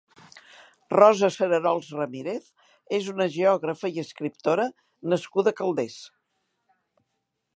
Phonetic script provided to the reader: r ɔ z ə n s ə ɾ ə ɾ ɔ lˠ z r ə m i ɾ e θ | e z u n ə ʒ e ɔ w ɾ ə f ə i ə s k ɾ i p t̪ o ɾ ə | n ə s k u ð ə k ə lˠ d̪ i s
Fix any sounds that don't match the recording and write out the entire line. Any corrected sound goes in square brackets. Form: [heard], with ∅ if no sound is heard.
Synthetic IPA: r ɔ z ə [∅] s ə ɾ ə ɾ ɔ lˠ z r ə m i ɾ e θ | e z u n ə ʒ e ɔ [ɣ] ɾ ə f ə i ə s k ɾ i p t̪ o ɾ ə | n ə s k u ð ə k ə lˠ d̪ [e] s